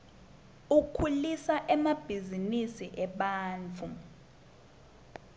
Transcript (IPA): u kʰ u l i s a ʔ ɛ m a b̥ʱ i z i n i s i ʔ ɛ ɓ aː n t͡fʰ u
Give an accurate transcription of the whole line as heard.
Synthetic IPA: u kʰ u l i s a ʔ ɛ m a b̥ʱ i z i n i s i ʔ ɛ ɓ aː n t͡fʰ u